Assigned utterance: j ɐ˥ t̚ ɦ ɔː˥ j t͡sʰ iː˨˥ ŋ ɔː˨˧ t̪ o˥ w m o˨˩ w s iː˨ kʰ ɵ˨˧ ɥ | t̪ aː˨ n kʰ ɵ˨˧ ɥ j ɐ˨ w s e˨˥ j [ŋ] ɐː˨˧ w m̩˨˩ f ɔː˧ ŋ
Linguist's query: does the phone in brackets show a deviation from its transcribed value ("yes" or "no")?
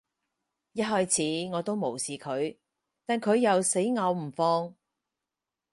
no